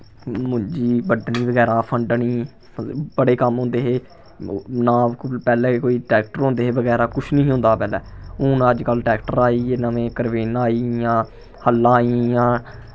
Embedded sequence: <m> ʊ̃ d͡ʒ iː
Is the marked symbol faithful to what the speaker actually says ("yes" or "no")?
yes